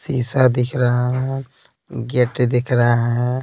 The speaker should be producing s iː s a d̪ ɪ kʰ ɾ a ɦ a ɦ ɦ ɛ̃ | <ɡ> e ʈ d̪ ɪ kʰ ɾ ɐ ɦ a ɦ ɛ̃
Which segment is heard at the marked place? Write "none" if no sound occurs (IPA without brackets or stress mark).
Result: ɡ